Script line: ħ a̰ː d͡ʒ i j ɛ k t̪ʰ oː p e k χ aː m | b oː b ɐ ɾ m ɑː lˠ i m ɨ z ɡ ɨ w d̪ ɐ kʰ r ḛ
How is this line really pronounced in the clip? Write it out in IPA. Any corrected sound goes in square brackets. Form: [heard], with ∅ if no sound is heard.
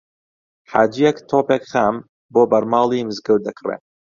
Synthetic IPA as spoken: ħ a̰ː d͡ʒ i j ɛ k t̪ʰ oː p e k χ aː m | b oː b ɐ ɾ m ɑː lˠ i m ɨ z ɡ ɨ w d̪ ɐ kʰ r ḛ